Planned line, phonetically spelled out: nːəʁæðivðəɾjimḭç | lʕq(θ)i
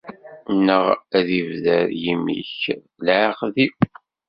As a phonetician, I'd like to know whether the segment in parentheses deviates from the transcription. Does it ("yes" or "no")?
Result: yes